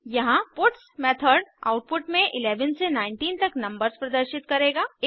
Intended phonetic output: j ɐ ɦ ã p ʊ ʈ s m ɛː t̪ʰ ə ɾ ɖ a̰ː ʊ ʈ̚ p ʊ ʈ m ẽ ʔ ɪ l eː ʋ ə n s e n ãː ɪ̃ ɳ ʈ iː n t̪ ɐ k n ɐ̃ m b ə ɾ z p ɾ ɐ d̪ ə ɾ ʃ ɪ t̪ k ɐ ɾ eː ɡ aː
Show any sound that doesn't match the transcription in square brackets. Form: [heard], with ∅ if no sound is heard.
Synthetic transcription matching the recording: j ɐ ɦ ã p ʊ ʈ s m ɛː t̪ʰ ə ɾ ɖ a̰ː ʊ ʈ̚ p ʊ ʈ m ẽ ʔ ɪ l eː ʋ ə n s e n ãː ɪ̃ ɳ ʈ iː n t̪ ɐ k n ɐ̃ m b ə ɾ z p ɾ ɐ d̪ ə ɾ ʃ ɪ t̪ k ɐ ɾ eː ɡ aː